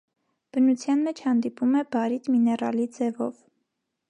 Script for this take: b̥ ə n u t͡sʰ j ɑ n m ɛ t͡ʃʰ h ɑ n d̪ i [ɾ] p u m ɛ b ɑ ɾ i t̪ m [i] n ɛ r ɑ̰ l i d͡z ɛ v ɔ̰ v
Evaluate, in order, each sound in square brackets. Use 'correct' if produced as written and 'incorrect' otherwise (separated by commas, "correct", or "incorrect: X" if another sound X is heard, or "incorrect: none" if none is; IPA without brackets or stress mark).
incorrect: none, correct